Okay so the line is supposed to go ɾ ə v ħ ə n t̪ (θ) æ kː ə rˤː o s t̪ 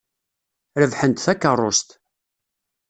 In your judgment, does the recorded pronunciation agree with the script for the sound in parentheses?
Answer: yes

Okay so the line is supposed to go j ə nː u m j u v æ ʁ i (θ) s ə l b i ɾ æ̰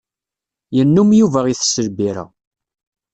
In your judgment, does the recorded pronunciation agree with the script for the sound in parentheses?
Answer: yes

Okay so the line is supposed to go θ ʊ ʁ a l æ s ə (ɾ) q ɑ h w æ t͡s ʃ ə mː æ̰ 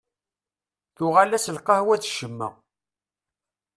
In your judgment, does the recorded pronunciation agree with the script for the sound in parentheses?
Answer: no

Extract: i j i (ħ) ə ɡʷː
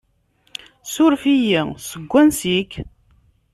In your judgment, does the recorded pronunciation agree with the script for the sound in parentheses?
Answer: no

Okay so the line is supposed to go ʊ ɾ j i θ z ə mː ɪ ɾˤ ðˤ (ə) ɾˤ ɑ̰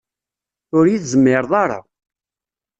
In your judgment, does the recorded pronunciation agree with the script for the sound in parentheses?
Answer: no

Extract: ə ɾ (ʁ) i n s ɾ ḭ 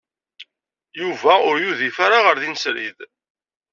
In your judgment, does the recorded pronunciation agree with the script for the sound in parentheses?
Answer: no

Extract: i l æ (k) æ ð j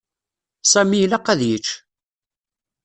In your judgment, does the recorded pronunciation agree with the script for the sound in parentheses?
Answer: no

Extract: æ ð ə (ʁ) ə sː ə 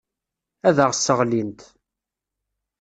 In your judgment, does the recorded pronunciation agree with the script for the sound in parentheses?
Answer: yes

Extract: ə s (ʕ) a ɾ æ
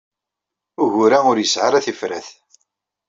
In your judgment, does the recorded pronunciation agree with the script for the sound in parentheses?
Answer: yes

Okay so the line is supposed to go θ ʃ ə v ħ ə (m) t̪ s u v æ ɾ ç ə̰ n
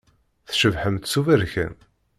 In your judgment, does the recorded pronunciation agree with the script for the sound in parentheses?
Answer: yes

